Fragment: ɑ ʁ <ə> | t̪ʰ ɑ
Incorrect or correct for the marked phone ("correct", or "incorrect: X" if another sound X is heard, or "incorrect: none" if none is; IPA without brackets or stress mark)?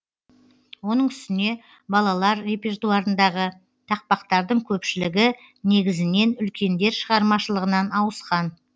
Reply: correct